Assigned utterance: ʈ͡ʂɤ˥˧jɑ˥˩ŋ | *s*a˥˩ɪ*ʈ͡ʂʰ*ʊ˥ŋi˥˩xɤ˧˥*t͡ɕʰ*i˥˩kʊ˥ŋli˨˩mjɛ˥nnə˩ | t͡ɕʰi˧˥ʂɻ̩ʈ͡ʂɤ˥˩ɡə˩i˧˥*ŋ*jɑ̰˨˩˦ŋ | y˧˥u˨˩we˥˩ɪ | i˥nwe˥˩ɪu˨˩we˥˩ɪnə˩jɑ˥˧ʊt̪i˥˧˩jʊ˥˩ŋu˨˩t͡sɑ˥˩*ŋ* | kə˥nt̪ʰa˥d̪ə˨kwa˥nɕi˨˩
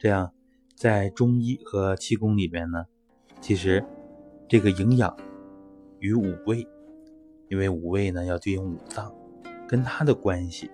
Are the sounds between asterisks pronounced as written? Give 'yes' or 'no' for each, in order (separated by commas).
no, no, yes, yes, yes